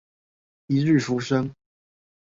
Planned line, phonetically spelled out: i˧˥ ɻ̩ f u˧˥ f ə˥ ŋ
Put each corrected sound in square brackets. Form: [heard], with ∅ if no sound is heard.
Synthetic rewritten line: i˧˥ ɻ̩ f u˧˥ [ʂ] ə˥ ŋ